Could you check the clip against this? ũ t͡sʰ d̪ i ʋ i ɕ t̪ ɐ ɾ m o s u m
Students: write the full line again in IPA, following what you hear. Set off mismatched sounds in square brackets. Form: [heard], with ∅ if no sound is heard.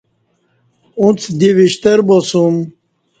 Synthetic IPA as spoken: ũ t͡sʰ d̪ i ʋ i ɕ t̪ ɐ ɾ [b] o s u m

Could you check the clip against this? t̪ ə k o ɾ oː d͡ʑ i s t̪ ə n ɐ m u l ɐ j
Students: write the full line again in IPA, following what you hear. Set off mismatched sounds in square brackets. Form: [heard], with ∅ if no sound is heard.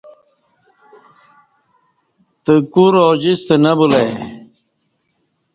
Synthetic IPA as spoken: t̪ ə k [u] ɾ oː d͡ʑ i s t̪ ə n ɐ [b] u l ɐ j

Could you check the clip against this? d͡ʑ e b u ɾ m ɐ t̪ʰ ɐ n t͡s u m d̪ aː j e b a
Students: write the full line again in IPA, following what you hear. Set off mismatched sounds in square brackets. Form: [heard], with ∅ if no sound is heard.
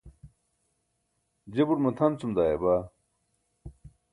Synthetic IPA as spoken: d͡ʑ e b u ɾ m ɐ t̪ʰ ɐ n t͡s u m d̪ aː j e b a

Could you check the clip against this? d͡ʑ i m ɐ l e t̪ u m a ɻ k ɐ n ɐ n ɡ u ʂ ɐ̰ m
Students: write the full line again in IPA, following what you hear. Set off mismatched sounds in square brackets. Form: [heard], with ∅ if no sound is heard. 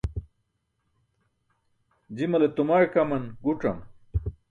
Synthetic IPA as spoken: d͡ʑ i m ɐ l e t̪ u m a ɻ k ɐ [m] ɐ n ɡ u [ʈ͡ʂ] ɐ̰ m

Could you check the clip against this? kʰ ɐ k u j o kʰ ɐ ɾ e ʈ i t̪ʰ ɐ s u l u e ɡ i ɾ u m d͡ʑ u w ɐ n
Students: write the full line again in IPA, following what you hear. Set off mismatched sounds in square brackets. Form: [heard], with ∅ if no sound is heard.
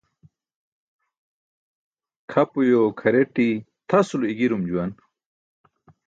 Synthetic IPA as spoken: kʰ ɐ [p] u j o kʰ ɐ ɾ e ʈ i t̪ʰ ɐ s u l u [i] ɡ i ɾ u m d͡ʑ u w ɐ n

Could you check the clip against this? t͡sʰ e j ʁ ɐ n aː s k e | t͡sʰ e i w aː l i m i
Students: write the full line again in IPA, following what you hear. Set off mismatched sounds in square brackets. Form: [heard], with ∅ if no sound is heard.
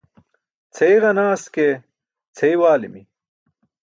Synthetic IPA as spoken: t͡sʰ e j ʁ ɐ n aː s k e | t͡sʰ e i w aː l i m i

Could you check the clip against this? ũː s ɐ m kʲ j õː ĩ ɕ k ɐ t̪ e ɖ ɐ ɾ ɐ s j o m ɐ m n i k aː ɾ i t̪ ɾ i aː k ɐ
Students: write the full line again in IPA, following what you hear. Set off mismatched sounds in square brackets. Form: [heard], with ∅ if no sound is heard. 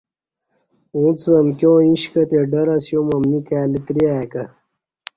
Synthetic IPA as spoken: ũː [t͡s] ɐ m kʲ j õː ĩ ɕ k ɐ t̪ e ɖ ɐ ɾ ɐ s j o m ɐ m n i k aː [l] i t̪ ɾ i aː k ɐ

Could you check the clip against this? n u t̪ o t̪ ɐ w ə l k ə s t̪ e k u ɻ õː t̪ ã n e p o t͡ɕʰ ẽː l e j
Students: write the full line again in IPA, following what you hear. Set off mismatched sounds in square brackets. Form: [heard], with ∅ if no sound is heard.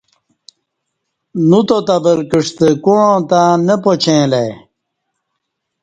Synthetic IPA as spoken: n u t̪ o t̪ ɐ [b] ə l k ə [ʂ] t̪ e k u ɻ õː t̪ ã n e p o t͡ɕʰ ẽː l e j

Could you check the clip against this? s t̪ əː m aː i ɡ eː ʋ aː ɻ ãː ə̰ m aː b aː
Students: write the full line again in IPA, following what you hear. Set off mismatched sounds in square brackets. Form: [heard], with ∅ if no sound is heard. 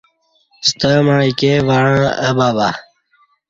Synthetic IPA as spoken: s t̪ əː m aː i [k] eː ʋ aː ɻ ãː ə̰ [b] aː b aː

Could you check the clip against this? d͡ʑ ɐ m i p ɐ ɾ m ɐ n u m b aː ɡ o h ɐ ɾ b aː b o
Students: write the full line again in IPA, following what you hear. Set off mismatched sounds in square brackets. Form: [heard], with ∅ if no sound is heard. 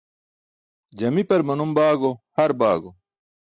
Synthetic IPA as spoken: d͡ʑ ɐ m i p ɐ ɾ m ɐ n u m b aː ɡ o h ɐ ɾ b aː [ɡ] o

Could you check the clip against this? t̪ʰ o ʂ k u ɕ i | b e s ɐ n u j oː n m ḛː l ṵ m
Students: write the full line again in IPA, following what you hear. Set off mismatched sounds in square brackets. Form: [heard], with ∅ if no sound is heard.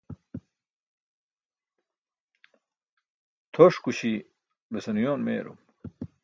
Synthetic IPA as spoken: t̪ʰ o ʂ k u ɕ i | b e s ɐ n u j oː n m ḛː [ɾ] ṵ m

